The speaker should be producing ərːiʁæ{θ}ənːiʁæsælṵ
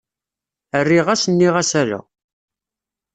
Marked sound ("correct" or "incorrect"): incorrect